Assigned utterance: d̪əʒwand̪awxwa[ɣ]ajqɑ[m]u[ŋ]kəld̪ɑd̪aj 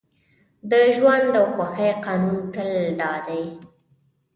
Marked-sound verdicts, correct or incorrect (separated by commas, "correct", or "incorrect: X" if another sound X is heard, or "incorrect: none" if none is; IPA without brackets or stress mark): incorrect: x, incorrect: n, incorrect: n